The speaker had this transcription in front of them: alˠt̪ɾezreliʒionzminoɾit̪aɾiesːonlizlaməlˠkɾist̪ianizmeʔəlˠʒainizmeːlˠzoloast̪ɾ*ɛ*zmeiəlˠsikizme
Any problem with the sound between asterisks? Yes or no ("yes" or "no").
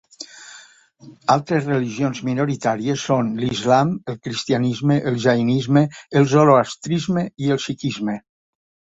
yes